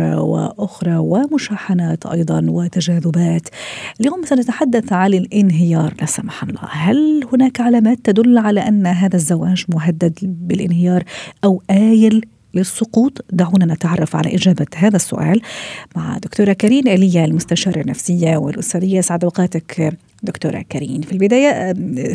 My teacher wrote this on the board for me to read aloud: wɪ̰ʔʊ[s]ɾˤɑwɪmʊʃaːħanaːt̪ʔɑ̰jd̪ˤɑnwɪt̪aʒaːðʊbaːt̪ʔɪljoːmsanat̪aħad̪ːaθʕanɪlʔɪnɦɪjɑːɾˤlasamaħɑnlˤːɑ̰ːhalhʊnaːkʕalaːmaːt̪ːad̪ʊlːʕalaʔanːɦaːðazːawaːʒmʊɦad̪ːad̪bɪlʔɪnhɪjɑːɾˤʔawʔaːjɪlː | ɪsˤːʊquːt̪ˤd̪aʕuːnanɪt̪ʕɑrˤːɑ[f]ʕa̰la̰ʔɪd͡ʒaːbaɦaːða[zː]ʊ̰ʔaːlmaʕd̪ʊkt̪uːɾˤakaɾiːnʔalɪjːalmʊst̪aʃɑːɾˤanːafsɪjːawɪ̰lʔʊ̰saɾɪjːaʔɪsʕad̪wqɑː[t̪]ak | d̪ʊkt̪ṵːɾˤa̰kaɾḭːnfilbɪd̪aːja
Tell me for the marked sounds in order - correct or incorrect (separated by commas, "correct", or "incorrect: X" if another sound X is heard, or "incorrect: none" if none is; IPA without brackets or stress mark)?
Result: incorrect: x, correct, incorrect: sː, correct